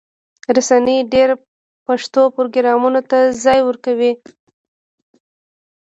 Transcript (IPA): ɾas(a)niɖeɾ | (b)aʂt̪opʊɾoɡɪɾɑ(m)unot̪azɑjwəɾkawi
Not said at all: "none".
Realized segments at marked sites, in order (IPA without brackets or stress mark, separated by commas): a, p, m